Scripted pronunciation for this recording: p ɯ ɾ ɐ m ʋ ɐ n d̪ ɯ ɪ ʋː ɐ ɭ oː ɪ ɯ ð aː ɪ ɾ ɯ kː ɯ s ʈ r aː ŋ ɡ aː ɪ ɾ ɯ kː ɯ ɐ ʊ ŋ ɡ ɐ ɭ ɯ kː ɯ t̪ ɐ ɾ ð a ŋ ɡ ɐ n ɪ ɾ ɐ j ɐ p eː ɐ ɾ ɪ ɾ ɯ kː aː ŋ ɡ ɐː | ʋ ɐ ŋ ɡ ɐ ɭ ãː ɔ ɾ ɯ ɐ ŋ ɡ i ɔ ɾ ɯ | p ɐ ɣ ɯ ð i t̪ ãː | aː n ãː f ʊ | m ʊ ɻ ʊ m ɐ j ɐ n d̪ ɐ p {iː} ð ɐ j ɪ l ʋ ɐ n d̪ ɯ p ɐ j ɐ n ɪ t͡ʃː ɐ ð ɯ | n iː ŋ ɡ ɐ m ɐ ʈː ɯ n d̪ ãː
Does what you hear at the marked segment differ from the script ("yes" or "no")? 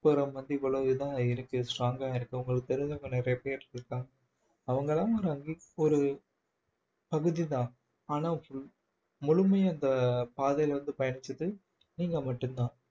yes